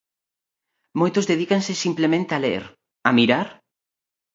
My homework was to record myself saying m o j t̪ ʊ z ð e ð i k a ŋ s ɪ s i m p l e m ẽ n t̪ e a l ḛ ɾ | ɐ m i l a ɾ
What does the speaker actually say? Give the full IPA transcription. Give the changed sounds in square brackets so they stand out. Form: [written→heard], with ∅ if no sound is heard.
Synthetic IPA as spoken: m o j t̪ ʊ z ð e ð i k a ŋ s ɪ s i m p l e m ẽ n t̪ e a l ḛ ɾ | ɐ m i [l→ɾ] a ɾ